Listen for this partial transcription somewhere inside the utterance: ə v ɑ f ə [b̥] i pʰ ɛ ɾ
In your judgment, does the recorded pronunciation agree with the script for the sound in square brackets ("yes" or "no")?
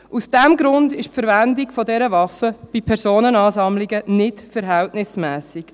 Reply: yes